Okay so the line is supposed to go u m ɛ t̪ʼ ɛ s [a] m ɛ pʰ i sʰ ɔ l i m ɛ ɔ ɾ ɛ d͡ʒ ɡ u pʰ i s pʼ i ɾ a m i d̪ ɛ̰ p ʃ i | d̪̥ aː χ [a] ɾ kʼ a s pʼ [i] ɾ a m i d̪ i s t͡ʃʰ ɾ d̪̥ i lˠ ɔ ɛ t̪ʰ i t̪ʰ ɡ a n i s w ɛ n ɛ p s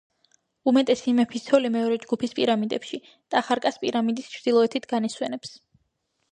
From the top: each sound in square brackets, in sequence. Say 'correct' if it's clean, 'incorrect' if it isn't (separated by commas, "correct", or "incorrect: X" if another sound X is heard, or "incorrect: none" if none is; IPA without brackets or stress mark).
incorrect: i, correct, correct